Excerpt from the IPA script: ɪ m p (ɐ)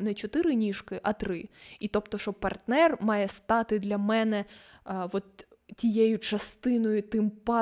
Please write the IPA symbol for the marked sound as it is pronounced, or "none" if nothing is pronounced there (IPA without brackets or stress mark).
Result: ɑ